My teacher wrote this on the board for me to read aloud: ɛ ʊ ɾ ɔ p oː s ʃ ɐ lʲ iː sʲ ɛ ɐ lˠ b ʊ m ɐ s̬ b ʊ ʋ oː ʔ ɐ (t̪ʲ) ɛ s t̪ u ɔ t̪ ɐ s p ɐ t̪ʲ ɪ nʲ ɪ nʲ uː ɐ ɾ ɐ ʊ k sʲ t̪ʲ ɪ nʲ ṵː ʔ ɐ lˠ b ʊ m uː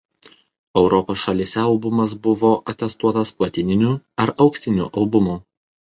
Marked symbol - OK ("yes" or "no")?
yes